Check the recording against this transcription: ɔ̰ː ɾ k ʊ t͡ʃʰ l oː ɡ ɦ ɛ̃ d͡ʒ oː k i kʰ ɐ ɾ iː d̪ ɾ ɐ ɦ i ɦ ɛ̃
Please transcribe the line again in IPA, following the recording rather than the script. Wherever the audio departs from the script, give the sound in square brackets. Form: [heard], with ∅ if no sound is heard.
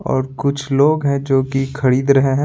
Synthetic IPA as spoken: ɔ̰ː ɾ k ʊ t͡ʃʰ l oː ɡ ɦ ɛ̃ d͡ʒ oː k i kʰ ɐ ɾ iː d̪ ɾ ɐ ɦ [e] ɦ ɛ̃